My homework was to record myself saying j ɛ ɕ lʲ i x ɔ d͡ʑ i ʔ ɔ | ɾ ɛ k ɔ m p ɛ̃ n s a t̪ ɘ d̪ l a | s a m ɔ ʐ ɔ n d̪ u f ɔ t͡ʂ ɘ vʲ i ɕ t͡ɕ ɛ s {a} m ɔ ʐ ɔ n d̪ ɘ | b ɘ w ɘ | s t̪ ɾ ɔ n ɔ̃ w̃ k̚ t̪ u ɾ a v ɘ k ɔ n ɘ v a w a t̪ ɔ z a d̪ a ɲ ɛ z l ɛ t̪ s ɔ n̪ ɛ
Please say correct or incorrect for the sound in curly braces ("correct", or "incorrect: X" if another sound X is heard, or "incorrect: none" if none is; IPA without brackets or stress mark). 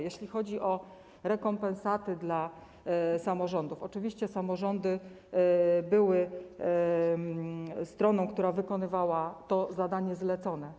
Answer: correct